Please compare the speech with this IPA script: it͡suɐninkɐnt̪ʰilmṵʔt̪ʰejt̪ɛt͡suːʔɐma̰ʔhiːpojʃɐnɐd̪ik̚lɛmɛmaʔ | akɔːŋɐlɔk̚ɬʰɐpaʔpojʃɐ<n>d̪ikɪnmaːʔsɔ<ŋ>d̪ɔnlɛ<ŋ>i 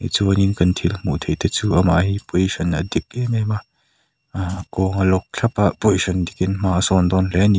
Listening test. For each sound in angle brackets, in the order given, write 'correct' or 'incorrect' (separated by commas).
correct, incorrect, incorrect